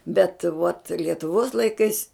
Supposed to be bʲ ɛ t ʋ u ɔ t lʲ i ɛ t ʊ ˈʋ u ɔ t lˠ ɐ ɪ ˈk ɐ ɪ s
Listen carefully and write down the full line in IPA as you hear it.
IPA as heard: bʲ ɛ t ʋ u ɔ t lʲ i ɛ t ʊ ˈʋ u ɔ s lˠ ɐ ɪ ˈk ɐ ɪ s